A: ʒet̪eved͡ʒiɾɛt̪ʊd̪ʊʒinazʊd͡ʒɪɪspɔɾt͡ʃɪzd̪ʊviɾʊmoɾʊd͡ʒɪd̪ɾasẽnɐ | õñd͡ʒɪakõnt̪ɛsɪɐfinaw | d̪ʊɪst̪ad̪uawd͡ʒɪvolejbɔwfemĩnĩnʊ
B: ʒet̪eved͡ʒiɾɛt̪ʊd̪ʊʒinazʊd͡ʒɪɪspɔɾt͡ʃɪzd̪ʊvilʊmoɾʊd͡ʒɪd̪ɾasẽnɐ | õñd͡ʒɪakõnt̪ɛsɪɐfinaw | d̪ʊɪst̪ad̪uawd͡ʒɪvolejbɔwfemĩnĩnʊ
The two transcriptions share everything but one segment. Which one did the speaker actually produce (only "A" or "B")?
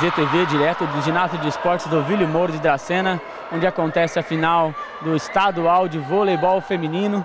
B